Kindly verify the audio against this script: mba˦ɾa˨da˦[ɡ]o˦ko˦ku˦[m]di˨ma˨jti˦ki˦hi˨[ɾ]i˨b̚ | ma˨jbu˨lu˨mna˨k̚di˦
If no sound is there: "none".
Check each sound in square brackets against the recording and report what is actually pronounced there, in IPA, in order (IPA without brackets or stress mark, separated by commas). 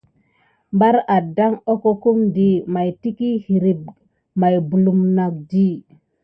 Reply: ŋ, m, ɾ